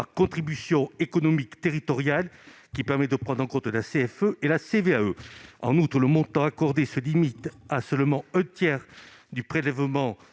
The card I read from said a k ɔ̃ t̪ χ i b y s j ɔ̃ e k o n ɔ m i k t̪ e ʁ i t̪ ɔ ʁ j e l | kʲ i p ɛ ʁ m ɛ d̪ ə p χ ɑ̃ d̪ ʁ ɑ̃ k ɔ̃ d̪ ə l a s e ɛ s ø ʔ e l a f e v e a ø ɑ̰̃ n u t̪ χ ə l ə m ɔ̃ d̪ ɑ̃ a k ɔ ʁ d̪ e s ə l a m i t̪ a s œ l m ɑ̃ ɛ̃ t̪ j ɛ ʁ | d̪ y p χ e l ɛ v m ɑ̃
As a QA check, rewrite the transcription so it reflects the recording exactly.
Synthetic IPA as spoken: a k ɔ̃ t̪ χ i b y s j ɔ̃ e k ɔ n ɔ m i k t̪ e ʁ i t̪ ɔ ʁ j a l | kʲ i p ɛ ʁ m ɛ d̪ ə p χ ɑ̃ d̪ ʁ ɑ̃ k ɔ̃ t̪ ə l a s e ɛ f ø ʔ e l a s e v e a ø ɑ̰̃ n u t̪ χ ə l ə m ɔ̃ t̪ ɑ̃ a k ɔ ʁ d̪ e s ə l i m i t̪ a s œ l m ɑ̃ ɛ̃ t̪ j ɛ ʁ | d̪ y p χ e l ɛ v m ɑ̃